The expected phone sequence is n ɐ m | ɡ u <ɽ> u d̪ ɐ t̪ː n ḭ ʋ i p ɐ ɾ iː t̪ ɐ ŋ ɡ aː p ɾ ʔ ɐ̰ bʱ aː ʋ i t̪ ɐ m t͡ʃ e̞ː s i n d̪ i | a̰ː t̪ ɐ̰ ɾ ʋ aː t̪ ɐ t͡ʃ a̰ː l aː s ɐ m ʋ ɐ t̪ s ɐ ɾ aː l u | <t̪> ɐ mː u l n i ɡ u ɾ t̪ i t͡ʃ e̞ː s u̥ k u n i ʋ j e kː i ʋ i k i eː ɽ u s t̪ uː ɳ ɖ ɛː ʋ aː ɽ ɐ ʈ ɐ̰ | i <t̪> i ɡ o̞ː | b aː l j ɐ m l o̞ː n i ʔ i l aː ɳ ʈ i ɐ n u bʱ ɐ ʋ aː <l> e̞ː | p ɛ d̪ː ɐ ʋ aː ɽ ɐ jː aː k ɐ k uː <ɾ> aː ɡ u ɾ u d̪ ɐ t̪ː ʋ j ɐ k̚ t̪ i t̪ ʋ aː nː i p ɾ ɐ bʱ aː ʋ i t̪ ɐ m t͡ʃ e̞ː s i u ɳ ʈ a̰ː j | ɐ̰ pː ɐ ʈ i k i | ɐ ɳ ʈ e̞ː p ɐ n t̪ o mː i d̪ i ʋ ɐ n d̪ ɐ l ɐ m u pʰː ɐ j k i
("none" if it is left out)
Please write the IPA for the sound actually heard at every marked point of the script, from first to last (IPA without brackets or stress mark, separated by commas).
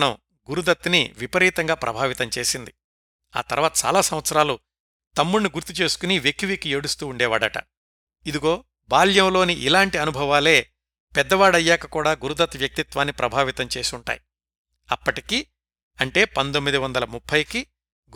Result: ɾ, t̪, d̪, l, ɽ